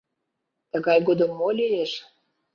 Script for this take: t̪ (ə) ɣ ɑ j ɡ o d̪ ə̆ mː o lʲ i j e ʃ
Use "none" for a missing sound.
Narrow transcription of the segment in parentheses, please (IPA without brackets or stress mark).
ə